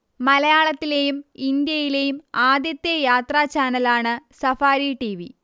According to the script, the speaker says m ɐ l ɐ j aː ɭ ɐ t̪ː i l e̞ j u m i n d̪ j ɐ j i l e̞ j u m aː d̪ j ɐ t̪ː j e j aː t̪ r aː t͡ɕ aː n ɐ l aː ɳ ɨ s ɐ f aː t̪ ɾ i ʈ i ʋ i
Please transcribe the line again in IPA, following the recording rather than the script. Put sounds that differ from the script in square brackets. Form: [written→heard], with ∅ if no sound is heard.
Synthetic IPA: m ɐ l ɐ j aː ɭ ɐ t̪ː i l e̞ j u m i n d̪ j ɐ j i l e̞ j u m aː d̪ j ɐ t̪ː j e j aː t̪ r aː t͡ɕ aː n ɐ l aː ɳ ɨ s ɐ f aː [t̪→∅] ɾ i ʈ i ʋ i